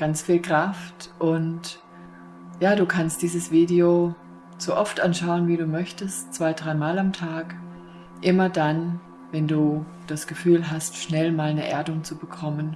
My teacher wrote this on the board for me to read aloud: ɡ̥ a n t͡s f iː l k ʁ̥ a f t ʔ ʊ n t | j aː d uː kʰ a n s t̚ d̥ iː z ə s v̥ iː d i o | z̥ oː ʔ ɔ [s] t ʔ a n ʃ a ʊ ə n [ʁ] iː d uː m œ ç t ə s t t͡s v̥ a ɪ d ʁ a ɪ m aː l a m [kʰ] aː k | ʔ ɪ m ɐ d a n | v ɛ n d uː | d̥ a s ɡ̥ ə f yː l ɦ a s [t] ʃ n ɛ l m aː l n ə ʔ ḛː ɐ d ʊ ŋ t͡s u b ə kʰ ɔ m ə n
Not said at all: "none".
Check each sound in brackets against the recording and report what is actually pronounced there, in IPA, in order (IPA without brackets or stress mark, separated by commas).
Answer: f, v, tʰ, t